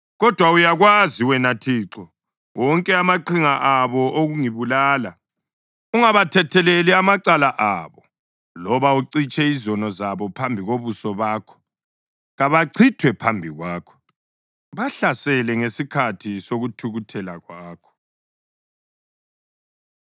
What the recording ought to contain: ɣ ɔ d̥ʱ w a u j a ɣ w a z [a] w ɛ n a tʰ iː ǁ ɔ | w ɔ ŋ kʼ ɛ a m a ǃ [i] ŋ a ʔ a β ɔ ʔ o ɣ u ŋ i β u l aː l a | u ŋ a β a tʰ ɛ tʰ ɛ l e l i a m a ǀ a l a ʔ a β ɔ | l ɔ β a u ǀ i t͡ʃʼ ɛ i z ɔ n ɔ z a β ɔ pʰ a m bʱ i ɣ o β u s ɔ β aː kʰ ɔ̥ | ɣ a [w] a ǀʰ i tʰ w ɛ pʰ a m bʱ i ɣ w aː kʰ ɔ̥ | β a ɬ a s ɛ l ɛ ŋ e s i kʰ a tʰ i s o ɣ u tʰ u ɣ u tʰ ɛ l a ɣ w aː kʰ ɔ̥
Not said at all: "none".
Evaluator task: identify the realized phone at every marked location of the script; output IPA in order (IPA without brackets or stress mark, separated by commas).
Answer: i, i, β